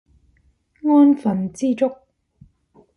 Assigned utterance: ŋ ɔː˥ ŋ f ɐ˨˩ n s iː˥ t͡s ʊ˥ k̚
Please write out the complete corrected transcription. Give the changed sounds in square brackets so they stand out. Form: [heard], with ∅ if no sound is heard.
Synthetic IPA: ŋ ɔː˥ [n] f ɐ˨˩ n [t͡s] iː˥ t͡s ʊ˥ k̚